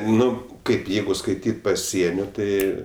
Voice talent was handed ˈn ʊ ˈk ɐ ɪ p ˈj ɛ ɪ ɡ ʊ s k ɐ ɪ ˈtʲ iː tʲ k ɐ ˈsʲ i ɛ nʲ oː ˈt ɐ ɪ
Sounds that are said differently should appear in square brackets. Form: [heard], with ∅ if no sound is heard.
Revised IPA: ˈn ʊ ˈk ɐ ɪ p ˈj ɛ ɪ ɡ ʊ s k ɐ ɪ ˈtʲ iː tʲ [p] ɐ ˈsʲ i ɛ nʲ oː ˈt ɐ ɪ